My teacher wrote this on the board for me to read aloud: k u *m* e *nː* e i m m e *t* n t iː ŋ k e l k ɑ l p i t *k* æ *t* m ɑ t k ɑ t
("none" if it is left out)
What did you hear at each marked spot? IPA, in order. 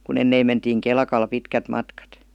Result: n, nː, none, k, t

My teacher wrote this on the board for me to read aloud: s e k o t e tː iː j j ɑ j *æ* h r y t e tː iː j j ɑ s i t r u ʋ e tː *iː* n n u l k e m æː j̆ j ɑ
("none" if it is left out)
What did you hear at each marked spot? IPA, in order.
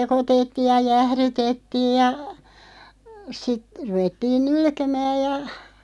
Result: æ, iː

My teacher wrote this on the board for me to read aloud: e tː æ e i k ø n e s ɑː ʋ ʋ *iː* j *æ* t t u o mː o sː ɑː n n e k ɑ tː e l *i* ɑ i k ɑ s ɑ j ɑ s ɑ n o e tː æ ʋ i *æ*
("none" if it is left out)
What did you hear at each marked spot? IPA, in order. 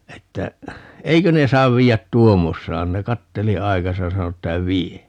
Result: iː, æ, i, e

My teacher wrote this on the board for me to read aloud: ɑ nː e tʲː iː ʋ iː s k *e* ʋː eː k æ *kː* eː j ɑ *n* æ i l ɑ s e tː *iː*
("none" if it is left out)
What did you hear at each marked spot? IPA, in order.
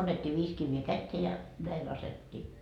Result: i, tː, n, iː

